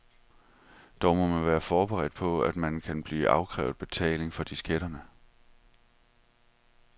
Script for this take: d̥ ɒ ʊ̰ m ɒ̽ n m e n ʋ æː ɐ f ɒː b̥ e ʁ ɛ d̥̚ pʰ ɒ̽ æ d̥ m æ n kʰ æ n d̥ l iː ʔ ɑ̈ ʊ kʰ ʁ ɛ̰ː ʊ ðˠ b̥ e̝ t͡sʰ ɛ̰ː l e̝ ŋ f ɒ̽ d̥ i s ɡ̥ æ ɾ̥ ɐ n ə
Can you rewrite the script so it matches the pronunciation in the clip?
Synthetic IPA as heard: d̥ ɒ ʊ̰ m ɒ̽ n m æ n ʋ æː ɐ f ɒː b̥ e ʁ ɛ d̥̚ pʰ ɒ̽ æ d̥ m æ n kʰ æ n b̥ l iː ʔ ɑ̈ ʊ kʰ ʁ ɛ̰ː ʊ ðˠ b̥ e̝ t͡sʰ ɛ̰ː l e̝ ŋ f ɒ̽ d̥ i s ɡ̥ e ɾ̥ ɐ n ə